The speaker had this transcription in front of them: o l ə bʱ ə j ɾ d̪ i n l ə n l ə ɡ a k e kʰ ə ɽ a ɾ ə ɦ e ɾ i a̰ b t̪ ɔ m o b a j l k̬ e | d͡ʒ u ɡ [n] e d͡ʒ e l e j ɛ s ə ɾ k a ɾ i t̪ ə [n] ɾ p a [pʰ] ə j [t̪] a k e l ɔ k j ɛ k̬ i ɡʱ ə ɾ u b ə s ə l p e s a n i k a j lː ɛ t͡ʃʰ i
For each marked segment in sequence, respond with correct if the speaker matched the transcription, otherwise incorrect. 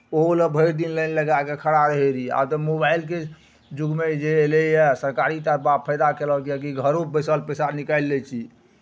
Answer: incorrect: m, incorrect: none, correct, incorrect: d̪

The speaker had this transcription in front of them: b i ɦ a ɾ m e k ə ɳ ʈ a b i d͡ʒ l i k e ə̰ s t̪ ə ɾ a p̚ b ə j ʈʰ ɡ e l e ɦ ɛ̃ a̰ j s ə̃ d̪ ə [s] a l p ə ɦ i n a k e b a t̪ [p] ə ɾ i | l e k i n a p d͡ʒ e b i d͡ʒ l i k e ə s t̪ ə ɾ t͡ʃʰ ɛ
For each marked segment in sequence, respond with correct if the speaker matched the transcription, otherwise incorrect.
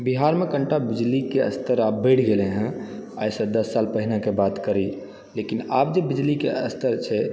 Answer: incorrect: sː, incorrect: k

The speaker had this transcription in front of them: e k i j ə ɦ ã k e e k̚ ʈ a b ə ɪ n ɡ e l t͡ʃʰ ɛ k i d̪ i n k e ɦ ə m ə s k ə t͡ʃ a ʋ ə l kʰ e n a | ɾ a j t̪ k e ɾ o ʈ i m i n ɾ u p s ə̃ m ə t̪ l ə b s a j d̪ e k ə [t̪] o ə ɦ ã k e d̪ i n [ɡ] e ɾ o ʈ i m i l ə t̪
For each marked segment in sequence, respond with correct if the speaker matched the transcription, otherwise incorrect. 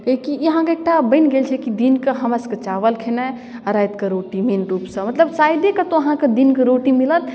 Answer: correct, incorrect: k

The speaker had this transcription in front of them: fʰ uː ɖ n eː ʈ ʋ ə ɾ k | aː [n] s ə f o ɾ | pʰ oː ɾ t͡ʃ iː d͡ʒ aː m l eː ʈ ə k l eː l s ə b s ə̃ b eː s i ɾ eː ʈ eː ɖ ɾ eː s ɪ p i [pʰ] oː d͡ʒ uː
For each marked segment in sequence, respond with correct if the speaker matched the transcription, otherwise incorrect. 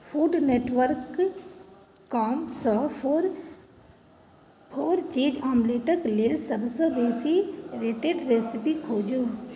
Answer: incorrect: m, incorrect: kʰ

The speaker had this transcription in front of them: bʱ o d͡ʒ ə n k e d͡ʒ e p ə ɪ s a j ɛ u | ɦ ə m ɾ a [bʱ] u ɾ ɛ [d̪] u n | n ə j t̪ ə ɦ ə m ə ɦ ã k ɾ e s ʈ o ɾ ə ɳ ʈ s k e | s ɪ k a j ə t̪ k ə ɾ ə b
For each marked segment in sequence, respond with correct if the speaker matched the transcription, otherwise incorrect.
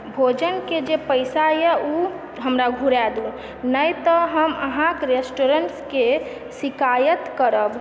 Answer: incorrect: ɡʱ, correct

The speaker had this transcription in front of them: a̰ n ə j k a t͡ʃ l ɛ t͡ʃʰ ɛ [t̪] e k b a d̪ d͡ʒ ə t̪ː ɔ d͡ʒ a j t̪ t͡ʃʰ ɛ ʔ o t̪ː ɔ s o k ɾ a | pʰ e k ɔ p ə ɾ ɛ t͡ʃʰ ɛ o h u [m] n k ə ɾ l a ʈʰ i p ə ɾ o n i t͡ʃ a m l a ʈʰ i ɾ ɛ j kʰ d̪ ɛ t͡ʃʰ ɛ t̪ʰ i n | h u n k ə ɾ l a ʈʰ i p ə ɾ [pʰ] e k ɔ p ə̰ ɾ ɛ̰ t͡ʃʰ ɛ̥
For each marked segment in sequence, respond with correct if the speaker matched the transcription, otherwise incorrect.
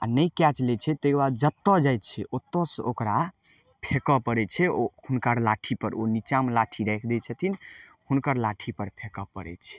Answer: correct, incorrect: none, correct

